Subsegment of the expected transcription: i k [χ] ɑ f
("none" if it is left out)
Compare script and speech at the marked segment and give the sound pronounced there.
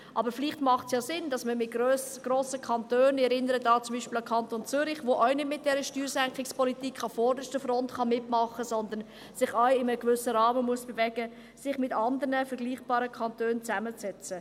χ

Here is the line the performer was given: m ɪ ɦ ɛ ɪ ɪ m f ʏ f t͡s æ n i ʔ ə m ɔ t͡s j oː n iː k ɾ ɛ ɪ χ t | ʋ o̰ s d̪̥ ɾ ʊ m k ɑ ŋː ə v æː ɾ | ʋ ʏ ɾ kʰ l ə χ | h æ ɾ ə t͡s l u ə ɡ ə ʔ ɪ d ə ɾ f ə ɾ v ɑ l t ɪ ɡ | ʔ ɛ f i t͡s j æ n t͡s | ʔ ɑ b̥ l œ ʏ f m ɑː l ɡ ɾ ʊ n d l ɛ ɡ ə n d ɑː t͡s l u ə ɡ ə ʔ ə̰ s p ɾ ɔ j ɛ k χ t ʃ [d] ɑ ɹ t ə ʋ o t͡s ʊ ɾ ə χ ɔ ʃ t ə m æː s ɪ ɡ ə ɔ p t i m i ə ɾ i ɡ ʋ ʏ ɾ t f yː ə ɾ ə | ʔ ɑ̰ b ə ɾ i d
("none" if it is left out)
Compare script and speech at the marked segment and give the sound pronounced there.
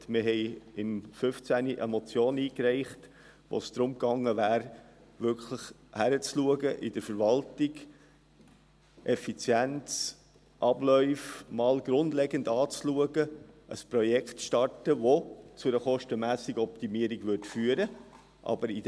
t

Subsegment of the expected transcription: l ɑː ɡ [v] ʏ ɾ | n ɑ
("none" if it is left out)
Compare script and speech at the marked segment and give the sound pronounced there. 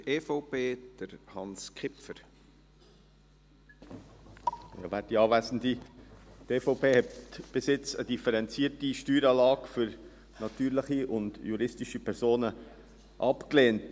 f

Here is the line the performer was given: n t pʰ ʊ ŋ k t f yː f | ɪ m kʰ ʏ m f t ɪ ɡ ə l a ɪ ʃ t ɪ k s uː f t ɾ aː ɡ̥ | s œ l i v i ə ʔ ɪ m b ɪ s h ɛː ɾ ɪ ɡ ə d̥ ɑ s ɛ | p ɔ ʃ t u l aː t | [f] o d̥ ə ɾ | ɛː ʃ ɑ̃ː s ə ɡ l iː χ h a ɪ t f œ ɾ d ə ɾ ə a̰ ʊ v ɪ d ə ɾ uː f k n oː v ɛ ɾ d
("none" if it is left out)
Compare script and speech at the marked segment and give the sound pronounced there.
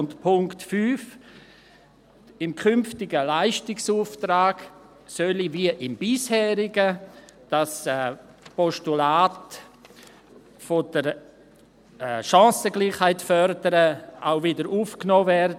f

